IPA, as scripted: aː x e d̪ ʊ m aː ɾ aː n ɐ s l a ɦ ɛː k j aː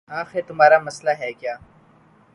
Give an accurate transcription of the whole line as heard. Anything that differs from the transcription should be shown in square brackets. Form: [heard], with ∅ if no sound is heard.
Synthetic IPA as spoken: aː x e [t̪] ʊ m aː ɾ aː [m] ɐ s l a ɦ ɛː k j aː